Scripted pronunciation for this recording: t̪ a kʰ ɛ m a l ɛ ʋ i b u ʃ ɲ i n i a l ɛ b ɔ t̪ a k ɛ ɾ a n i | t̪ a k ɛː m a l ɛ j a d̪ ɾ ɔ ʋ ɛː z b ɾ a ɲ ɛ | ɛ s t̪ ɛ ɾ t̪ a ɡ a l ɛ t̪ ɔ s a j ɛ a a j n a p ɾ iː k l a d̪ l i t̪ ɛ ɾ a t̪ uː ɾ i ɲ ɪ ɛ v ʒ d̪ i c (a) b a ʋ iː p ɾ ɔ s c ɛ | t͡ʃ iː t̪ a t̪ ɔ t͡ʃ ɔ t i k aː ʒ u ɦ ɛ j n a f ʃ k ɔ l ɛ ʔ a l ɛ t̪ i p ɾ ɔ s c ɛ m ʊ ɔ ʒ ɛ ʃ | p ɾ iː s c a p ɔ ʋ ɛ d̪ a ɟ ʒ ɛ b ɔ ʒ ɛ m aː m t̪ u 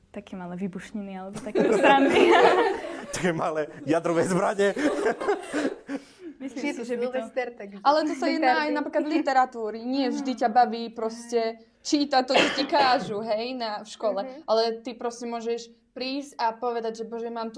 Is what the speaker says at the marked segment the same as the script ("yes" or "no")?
yes